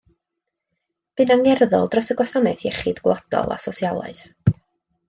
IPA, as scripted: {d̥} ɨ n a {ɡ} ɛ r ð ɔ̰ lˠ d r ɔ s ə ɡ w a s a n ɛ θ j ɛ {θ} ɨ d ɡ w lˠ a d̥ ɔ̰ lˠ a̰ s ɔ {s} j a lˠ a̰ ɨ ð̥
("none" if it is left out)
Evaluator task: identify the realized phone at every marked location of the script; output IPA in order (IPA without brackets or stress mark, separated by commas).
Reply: b̥, ŋ, χ, s